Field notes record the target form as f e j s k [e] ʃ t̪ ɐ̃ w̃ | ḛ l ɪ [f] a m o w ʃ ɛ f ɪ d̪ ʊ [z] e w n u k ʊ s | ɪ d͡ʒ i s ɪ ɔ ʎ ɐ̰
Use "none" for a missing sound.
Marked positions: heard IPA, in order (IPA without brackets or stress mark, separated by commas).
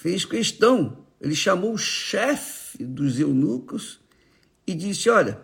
e, ʃ, z